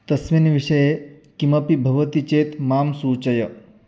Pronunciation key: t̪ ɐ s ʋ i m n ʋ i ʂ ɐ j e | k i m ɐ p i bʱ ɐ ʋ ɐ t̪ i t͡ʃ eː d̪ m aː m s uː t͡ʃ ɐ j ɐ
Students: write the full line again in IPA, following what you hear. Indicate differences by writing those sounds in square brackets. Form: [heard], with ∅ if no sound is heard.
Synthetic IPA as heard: t̪ ɐ s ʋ i [∅] n ʋ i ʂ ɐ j e | k i m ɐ p i bʱ ɐ ʋ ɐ t̪ i t͡ʃ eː [t̪] m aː m s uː t͡ʃ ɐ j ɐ